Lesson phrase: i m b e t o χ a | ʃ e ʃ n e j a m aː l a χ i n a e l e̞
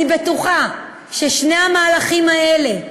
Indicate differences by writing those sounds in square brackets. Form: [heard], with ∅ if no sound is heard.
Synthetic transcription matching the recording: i [∅] b e t [u] χ a | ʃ e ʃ n e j a m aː l a χ i [m] a e l e̞